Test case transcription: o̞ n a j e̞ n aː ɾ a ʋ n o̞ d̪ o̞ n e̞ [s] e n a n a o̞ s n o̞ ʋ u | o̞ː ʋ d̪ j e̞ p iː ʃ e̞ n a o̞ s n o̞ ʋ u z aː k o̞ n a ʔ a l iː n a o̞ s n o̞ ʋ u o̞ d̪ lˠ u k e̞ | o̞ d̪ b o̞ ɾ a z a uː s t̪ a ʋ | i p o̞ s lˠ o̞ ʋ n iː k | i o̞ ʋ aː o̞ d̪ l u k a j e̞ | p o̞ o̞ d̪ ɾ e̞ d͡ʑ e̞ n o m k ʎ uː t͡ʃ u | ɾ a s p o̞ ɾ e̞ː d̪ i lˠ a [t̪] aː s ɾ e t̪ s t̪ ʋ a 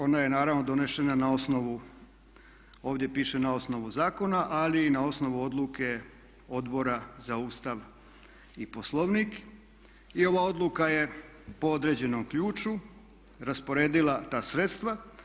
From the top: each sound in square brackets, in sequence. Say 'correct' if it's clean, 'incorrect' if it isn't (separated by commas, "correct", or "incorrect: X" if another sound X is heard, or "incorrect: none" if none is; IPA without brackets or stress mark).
incorrect: ʃ, correct